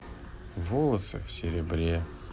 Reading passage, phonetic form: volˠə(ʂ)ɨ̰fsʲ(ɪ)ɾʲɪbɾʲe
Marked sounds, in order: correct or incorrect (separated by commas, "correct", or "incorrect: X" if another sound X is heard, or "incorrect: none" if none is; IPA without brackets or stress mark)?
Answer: incorrect: s, correct